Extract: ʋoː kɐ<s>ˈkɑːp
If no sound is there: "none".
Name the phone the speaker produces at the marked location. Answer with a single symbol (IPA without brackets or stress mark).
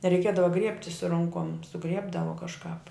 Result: ʃ